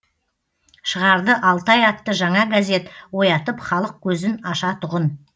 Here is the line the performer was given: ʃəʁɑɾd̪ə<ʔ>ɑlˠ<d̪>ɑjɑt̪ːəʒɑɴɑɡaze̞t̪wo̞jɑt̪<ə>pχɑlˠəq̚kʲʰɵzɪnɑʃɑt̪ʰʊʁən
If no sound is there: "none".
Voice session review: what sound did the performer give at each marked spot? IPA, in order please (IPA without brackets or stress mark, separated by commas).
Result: ʔ, t̪, ə